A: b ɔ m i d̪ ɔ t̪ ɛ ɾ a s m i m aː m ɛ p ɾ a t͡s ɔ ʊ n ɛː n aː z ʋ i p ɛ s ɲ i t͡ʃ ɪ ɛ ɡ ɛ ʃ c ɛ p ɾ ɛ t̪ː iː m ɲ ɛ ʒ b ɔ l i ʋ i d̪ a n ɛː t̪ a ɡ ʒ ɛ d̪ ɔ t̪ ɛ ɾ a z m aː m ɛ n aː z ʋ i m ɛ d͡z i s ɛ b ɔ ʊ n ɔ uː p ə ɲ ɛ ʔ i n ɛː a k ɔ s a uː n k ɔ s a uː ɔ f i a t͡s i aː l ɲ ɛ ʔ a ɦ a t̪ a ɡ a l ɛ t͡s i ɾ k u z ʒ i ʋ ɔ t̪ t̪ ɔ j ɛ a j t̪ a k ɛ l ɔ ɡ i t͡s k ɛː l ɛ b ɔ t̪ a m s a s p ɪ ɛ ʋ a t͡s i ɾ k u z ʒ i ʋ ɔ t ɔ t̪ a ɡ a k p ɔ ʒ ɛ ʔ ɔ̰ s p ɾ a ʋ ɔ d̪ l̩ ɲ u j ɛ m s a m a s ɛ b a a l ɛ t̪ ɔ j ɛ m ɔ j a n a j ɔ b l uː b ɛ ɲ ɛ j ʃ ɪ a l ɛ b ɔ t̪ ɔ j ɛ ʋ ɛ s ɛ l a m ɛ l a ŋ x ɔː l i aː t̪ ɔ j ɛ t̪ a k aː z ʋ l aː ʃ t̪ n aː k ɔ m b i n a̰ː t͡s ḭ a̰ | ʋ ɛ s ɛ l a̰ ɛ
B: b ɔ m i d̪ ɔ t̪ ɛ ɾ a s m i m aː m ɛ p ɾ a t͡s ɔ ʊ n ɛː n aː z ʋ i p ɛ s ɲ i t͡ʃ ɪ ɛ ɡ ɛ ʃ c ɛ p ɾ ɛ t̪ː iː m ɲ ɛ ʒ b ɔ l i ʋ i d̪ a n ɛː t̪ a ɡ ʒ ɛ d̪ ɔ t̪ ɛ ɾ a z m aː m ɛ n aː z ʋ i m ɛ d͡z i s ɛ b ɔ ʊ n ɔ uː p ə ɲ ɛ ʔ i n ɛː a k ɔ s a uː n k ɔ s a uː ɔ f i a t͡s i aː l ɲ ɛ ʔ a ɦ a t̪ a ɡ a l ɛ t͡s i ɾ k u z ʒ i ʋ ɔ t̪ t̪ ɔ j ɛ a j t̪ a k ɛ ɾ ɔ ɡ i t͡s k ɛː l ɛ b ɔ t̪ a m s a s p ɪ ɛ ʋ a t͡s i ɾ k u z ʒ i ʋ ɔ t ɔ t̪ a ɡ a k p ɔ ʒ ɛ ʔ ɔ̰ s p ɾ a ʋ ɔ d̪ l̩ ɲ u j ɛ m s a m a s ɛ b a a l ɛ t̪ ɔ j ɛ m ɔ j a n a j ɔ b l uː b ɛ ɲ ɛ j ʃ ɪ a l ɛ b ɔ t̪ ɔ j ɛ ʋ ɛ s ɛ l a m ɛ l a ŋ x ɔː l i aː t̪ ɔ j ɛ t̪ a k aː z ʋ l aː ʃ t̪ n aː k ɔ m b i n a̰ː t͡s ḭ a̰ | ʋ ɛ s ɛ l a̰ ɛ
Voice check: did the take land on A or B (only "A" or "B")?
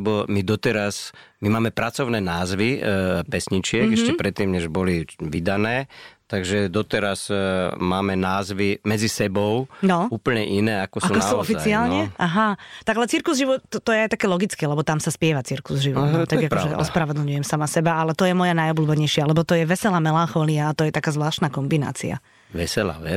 A